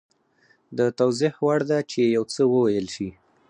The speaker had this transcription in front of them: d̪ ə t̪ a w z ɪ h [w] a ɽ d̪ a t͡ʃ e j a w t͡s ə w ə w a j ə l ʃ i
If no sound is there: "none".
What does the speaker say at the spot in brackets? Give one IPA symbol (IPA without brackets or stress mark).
w